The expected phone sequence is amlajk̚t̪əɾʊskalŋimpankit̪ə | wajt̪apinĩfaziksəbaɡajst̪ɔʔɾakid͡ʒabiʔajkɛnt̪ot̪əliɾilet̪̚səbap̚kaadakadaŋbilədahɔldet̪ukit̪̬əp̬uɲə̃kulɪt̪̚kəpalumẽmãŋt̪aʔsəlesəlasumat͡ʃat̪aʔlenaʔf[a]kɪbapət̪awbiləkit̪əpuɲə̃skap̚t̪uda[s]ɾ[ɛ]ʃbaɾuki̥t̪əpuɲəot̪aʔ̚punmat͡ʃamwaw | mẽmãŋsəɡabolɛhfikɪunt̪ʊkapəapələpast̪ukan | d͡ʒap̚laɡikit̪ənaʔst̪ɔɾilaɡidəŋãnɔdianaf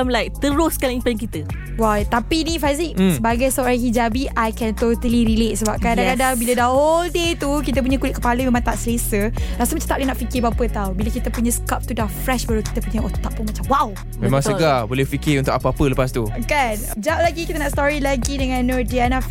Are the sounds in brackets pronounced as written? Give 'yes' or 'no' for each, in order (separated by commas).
no, no, yes